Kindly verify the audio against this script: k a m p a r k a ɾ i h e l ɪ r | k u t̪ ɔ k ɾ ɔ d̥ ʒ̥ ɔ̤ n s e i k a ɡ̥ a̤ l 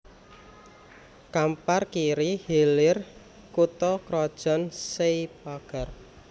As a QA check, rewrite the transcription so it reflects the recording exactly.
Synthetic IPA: k a m p a r k i ɾ i h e l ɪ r | k u t̪ ɔ k ɾ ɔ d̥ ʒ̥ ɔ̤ n s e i p a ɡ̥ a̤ r